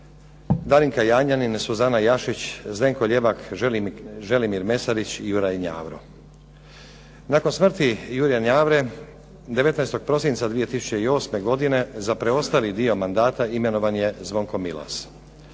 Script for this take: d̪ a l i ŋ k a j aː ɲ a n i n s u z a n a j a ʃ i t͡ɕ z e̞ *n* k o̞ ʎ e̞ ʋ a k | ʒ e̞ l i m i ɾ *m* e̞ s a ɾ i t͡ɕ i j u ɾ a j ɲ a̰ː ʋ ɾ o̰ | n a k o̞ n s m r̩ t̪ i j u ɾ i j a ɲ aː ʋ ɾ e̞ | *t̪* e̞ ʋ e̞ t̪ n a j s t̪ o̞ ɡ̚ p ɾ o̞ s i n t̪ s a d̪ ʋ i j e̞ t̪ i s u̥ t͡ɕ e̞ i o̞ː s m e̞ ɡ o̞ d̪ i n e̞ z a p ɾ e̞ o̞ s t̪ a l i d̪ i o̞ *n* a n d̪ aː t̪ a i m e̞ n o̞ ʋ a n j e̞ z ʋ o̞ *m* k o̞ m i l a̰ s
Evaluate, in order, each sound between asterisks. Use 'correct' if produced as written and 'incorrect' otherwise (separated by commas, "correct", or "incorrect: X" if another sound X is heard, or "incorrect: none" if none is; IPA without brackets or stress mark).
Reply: incorrect: ŋ, correct, incorrect: d̪, incorrect: m, incorrect: ŋ